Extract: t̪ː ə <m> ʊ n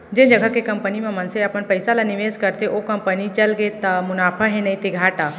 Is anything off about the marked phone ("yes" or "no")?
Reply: no